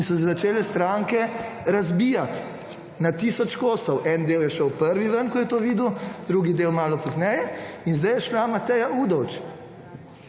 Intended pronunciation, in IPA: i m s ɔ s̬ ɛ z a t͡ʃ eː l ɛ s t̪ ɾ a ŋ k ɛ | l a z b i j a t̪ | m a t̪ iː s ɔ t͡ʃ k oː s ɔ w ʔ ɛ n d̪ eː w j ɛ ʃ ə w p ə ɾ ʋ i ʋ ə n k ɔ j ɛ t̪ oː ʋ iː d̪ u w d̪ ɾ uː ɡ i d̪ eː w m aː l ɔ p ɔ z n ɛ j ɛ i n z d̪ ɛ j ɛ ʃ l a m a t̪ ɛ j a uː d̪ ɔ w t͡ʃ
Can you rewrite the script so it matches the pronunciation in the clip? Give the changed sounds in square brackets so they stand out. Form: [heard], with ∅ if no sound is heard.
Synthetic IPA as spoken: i [n] s ɔ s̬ ɛ z a t͡ʃ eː l ɛ s t̪ ɾ a ŋ k ɛ | [ɾ] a z b i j a t̪ | [n] a t̪ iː s ɔ t͡ʃ k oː s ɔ w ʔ ɛ n d̪ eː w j ɛ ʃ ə w p ə ɾ ʋ i ʋ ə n k ɔ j ɛ t̪ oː ʋ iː d̪ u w d̪ ɾ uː ɡ i d̪ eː w m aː l ɔ p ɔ z n ɛ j ɛ i n z d̪ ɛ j ɛ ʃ l a m a t̪ ɛ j a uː d̪ ɔ w t͡ʃ